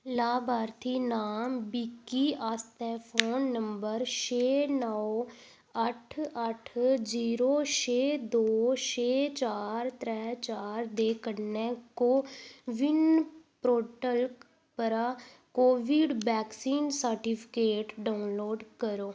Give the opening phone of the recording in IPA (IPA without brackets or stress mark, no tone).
l